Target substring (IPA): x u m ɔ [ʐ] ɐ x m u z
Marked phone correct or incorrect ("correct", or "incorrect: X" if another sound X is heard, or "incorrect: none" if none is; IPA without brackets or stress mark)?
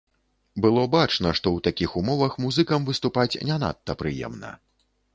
incorrect: v